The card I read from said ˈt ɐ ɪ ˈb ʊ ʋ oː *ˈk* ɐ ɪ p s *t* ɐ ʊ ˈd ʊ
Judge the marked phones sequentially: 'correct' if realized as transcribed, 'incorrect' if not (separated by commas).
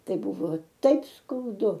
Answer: incorrect, incorrect